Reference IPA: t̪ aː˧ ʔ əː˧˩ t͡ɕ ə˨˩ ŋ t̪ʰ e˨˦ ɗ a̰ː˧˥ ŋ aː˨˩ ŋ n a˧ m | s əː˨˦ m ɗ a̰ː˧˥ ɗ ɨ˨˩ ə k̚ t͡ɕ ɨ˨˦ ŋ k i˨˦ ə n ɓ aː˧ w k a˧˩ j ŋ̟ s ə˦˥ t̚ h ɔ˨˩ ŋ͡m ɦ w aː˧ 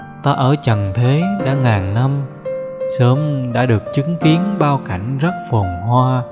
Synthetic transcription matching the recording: t̪ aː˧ ʔ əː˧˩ t͡ɕ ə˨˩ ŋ t̪ʰ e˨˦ ɗ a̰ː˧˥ ŋ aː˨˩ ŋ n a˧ m | s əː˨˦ m ɗ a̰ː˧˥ ɗ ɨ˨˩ ə k̚ t͡ɕ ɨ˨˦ ŋ k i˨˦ ə n ɓ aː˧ w k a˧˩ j ŋ̟ z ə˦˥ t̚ f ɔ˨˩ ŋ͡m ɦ w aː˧